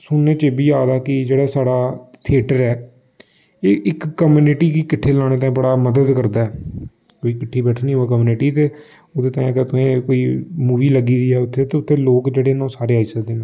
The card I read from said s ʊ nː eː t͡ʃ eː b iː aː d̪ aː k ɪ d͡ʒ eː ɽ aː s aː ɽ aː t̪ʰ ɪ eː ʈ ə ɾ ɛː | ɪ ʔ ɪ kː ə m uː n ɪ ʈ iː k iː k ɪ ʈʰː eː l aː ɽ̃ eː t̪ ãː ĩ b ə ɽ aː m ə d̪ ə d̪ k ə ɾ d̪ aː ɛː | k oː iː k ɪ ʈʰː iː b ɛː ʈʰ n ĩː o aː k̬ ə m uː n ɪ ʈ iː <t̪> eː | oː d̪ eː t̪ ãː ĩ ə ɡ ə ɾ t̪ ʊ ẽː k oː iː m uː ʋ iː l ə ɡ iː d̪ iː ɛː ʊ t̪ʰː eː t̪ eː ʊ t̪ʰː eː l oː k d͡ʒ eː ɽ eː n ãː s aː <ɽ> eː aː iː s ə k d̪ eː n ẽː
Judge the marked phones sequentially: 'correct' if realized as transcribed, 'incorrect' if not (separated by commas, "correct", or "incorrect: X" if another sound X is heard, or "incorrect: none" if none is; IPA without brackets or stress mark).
correct, incorrect: ɾ